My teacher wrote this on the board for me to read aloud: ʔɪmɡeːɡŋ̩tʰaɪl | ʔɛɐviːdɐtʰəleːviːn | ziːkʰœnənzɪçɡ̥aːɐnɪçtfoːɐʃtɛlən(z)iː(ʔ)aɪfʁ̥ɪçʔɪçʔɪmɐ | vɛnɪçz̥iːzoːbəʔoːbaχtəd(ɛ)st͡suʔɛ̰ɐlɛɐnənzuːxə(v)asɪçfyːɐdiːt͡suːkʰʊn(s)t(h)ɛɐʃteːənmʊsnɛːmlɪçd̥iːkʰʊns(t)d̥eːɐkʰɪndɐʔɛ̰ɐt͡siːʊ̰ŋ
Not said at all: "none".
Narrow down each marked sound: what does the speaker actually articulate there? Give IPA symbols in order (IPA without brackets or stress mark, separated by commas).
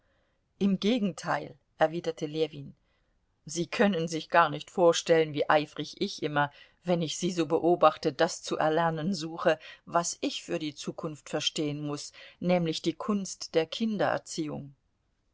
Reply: v, ʔ, a, v, f, f, t